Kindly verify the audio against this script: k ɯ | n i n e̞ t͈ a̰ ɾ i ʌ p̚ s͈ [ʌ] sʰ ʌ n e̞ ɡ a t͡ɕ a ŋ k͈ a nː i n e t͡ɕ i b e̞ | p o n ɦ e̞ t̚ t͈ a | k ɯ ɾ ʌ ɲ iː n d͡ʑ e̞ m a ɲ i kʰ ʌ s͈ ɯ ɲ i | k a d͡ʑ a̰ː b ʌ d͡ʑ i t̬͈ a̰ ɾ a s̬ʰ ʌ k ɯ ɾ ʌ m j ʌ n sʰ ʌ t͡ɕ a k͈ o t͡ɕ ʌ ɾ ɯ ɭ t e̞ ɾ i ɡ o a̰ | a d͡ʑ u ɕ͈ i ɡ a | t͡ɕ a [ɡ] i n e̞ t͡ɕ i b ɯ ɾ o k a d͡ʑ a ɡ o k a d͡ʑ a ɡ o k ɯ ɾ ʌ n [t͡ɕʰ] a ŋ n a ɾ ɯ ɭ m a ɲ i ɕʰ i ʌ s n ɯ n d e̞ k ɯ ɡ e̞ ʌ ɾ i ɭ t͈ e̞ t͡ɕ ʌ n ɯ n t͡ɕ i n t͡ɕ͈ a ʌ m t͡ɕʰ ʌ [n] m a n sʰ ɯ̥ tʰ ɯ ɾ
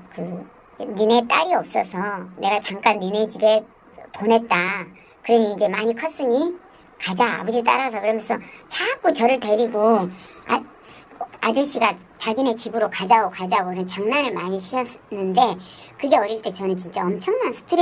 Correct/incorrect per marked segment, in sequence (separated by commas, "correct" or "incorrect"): correct, correct, incorrect, incorrect